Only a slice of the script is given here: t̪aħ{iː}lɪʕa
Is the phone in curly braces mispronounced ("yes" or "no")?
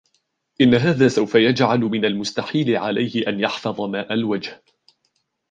no